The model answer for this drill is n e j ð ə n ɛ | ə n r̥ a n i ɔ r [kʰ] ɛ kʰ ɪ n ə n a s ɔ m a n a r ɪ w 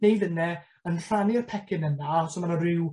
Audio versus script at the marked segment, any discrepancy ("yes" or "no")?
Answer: yes